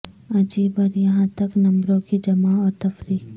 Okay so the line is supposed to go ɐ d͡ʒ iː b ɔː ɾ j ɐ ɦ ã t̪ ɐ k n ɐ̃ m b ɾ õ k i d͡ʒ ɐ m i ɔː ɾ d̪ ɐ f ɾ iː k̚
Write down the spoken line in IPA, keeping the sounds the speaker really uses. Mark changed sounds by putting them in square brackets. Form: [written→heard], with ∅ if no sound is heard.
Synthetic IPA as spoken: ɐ d͡ʒ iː b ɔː ɾ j ɐ ɦ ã t̪ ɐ k n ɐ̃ m b ɾ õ k i d͡ʒ ɐ m [i→a] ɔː ɾ [d̪→t̪] ɐ f ɾ iː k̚

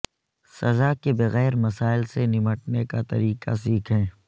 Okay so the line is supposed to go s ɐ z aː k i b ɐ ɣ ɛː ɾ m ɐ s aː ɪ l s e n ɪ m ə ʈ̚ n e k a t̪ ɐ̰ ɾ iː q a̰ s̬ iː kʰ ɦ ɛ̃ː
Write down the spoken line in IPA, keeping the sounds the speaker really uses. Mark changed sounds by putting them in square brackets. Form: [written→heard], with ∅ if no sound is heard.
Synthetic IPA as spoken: s ɐ z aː k [i→e] b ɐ ɣ ɛː ɾ m ɐ s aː ɪ l s e n ɪ m ə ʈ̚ n e k a t̪ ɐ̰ ɾ iː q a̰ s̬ iː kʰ ɦ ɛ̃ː

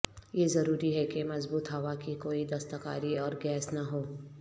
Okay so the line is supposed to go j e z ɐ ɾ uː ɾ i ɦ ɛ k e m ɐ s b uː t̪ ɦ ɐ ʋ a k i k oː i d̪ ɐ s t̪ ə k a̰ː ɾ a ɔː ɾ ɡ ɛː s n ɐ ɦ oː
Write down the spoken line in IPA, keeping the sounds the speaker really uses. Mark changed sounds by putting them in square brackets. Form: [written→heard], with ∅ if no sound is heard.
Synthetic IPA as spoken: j e z ɐ ɾ uː ɾ i ɦ ɛ k e m ɐ [s→z] b uː t̪ ɦ ɐ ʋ a k i k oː i d̪ ɐ s t̪ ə k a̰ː ɾ [a→i] ɔː ɾ ɡ ɛː s n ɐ ɦ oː

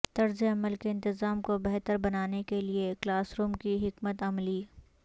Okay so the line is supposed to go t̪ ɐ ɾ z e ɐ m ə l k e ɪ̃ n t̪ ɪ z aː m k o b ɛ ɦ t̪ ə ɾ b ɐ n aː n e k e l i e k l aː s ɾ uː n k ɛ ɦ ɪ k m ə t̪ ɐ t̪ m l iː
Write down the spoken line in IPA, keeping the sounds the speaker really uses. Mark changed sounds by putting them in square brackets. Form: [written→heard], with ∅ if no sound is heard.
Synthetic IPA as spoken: t̪ ɐ ɾ z e ɐ m ə l k e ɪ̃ n t̪ ɪ z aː m k o b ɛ ɦ t̪ ə ɾ b ɐ n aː n e k e l i e k l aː s ɾ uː [n→m] k [ɛ→i] ɦ ɪ k m ə t̪ ɐ [t̪→∅] m l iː

